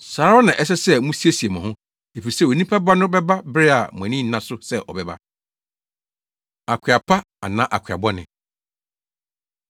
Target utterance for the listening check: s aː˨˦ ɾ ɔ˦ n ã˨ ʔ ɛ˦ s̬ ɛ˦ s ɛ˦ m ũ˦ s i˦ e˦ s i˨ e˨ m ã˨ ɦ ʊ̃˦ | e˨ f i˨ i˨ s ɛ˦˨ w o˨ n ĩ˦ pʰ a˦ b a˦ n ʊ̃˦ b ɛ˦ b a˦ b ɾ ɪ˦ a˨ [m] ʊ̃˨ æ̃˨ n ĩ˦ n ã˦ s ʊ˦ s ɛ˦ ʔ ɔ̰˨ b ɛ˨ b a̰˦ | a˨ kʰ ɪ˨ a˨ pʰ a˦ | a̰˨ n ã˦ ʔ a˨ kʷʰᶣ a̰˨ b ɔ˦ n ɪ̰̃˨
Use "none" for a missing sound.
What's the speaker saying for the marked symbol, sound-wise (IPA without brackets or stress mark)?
m